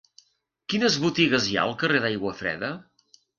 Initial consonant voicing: voiceless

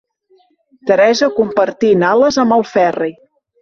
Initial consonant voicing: voiceless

